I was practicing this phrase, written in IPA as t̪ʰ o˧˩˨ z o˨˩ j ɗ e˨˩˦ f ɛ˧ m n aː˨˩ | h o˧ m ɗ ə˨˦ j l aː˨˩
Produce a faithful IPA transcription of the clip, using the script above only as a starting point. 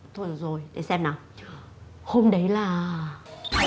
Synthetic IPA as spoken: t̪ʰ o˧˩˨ z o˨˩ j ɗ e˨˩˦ s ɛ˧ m n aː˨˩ | h o˧ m ɗ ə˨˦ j l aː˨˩